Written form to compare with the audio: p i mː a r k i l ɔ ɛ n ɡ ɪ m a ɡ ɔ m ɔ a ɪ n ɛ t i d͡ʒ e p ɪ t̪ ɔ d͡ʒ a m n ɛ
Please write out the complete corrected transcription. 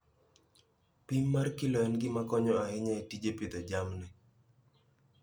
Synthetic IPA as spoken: p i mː a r k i l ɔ ɛ n ɡ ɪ m a k ɔ ɲ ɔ a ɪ ɲ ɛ t i d͡ʒ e p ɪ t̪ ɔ d͡ʒ a m n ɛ